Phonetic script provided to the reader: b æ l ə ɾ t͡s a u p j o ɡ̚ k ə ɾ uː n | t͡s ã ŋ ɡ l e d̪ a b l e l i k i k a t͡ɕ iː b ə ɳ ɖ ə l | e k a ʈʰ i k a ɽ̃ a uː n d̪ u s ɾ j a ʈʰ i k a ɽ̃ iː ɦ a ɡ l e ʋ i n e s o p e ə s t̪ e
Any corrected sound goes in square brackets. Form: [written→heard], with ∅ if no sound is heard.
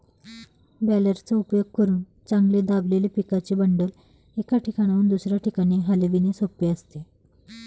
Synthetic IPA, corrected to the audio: b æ l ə ɾ t͡s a u p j o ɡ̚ k ə ɾ uː n | t͡s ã ŋ ɡ l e d̪ a b l e l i [k→p] i k a t͡ɕ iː b ə ɳ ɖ ə l | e k a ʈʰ i k a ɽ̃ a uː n d̪ u s ɾ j a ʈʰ i k a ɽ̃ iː ɦ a [ɡ→∅] l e ʋ i n e s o p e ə s t̪ e